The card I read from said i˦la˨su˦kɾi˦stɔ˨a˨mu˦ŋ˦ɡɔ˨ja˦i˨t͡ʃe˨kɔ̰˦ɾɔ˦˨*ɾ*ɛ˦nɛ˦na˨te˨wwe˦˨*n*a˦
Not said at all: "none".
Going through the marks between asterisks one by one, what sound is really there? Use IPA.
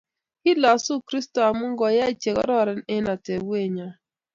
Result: ɾ, ɲ

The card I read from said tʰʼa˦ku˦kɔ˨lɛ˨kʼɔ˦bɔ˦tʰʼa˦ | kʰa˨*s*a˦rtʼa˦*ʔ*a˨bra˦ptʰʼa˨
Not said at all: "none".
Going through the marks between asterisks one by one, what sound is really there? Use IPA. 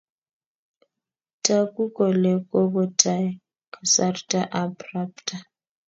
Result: s, ʔ

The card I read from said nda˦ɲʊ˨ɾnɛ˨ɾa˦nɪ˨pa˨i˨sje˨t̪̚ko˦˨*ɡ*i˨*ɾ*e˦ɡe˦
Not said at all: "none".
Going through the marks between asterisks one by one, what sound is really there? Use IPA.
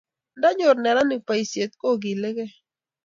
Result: ɡ, l

